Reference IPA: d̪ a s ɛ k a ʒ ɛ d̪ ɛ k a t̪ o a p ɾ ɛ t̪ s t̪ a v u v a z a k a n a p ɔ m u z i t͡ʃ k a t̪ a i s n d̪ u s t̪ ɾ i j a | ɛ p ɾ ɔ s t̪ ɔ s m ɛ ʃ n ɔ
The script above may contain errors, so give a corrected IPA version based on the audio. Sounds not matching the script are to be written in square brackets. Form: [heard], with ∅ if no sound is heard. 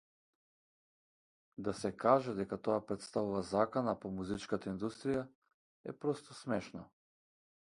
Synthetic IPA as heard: d̪ a s ɛ k a ʒ ɛ d̪ ɛ k a t̪ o a p ɾ ɛ t̪ s t̪ a v u v a z a k a n a p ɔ m u z i t͡ʃ k a t̪ a i [∅] n d̪ u s t̪ ɾ i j a | ɛ p ɾ ɔ s t̪ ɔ s m ɛ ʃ n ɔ